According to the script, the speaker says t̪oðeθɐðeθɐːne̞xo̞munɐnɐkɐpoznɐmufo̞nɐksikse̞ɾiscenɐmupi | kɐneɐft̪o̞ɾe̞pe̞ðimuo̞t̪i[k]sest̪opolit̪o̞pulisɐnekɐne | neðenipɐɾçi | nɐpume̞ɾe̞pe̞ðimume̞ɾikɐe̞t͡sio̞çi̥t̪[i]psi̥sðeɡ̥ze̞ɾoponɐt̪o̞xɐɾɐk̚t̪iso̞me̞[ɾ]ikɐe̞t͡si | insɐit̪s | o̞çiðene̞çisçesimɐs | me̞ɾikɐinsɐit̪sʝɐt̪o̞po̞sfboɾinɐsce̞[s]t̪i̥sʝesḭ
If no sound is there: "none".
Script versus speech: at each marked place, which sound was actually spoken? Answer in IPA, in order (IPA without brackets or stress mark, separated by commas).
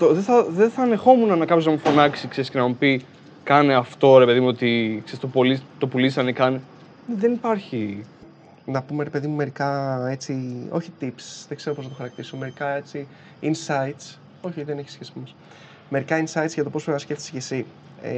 k, i, ɾ, f